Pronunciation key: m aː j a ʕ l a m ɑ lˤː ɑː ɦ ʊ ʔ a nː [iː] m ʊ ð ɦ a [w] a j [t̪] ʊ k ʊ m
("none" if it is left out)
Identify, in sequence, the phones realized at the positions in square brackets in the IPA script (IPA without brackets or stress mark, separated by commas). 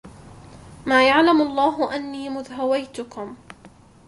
iː, w, t̪